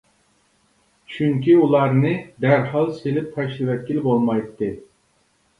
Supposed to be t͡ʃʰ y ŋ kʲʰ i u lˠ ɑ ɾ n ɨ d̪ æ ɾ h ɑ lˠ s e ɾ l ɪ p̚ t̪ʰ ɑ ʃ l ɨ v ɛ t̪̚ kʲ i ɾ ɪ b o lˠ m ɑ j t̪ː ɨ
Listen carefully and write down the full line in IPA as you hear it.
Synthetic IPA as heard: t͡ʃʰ y ŋ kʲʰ i u lˠ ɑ ɾ n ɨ d̪ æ ɾ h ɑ lˠ s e l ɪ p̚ t̪ʰ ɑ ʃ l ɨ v ɛ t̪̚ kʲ i l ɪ b o lˠ m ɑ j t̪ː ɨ